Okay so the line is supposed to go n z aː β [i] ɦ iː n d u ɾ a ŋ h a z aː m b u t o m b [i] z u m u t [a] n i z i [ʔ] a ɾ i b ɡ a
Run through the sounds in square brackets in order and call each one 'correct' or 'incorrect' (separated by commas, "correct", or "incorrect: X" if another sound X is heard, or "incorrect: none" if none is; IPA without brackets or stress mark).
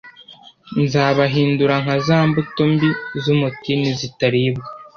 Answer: incorrect: a, correct, incorrect: i, incorrect: t